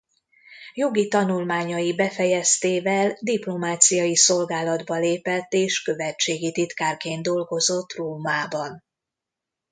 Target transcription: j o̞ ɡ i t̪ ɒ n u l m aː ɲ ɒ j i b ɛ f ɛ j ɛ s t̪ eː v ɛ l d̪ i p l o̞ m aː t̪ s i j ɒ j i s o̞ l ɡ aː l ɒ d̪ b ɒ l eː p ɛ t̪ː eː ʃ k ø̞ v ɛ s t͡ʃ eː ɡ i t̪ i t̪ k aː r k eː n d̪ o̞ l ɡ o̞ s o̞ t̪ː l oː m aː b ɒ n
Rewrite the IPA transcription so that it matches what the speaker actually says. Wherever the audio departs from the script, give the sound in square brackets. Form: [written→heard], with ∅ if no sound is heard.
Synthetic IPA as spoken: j o̞ ɡ i t̪ ɒ n u l m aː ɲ ɒ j i b ɛ f ɛ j ɛ s t̪ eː v ɛ l d̪ i p l o̞ m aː t̪ s i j ɒ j i s o̞ l ɡ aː l ɒ d̪ b ɒ l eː p ɛ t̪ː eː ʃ k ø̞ v ɛ [s→∅] t͡ʃ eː ɡ i t̪ i t̪ k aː r k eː n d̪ o̞ l ɡ o̞ [s→z] o̞ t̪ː [l→r] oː m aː b ɒ n

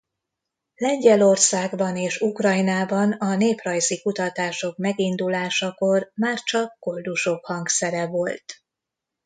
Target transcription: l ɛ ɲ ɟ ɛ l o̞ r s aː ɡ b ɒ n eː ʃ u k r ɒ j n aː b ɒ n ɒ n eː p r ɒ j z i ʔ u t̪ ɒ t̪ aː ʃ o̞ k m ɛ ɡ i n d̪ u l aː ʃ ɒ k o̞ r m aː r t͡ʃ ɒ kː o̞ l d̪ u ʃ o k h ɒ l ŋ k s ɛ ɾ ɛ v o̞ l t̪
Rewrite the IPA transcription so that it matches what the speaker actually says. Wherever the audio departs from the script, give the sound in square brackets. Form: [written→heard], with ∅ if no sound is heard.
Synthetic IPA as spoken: l ɛ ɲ ɟ ɛ l o̞ r s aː ɡ b ɒ n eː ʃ u k r ɒ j n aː b ɒ n ɒ n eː p r ɒ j z i [ʔ→k] u t̪ ɒ t̪ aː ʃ o̞ k m ɛ ɡ i n d̪ u l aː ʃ ɒ k o̞ r m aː r t͡ʃ ɒ kː o̞ l d̪ u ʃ o k h ɒ [l→∅] ŋ k s ɛ ɾ ɛ v o̞ l t̪

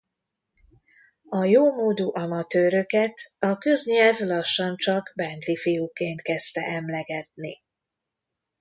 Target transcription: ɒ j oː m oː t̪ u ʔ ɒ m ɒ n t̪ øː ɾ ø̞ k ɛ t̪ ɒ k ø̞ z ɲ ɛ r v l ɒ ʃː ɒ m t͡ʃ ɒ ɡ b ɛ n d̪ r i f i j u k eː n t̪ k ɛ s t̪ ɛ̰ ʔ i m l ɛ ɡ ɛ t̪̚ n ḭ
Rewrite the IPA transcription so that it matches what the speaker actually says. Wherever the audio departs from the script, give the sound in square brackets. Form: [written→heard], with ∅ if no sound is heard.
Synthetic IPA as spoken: ɒ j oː m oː [t̪→d̪] u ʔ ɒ m ɒ [n→∅] t̪ øː ɾ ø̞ k ɛ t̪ ɒ k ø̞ z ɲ ɛ [r→l] v l ɒ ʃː ɒ [m→n] t͡ʃ ɒ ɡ b ɛ n d̪ [r→l] i f i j u k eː n t̪ k ɛ s t̪ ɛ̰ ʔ [i→ɛ] m l ɛ ɡ ɛ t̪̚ n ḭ

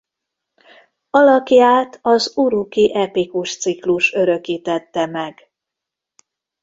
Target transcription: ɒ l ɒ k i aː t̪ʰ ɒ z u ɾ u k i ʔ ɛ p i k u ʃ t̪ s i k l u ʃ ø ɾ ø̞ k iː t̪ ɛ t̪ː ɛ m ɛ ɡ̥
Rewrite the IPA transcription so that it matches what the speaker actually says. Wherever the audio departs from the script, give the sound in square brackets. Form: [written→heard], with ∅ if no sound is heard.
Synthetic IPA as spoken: ɒ l ɒ k [i→j] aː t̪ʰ ɒ z u ɾ u k i ʔ ɛ p i k u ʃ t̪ s i k l u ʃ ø ɾ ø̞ k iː t̪ ɛ t̪ː ɛ m ɛ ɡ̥

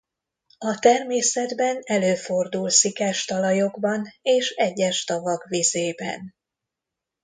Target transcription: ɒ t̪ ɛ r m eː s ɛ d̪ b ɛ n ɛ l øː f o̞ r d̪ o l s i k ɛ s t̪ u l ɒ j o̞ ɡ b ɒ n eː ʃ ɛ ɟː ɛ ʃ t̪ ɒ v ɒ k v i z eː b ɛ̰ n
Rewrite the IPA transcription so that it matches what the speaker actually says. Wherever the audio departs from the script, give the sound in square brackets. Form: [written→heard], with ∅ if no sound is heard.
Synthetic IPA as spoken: ɒ t̪ ɛ r m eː s ɛ d̪ b ɛ n ɛ l øː f o̞ r d̪ [o→u] l s i k ɛ [s→ʃ] t̪ [u→ɒ] l ɒ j o̞ ɡ b ɒ n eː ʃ ɛ ɟː ɛ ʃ t̪ ɒ v ɒ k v i z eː b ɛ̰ n

